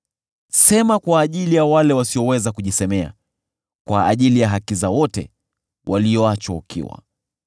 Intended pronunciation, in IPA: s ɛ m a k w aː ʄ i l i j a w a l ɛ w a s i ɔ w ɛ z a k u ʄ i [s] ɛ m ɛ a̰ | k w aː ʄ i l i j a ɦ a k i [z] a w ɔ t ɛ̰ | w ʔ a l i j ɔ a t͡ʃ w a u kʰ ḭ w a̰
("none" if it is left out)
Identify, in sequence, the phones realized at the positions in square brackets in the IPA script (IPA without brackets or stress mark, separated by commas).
s, z